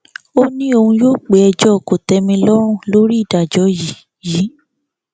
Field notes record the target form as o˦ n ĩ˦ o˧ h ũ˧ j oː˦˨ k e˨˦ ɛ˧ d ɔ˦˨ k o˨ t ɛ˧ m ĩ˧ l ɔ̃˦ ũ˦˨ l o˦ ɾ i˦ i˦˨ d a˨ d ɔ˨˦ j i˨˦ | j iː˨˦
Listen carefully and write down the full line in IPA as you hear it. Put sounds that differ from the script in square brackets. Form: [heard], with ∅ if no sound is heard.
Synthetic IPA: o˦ n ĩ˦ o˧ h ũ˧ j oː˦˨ [k͡p] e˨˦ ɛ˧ [d͡ʒ] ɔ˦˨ k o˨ t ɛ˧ m ĩ˧ l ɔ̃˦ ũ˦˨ l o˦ ɾ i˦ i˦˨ d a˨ [d͡ʒ] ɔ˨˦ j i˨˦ | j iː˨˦